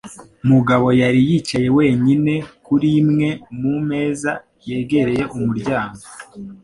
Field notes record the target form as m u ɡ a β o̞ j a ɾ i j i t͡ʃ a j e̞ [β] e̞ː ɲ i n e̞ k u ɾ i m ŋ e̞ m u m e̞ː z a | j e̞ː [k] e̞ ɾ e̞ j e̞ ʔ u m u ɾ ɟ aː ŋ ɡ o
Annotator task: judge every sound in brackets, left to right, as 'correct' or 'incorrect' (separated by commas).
incorrect, incorrect